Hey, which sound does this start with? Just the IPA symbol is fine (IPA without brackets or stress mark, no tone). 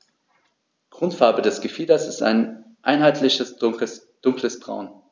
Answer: ɡ̥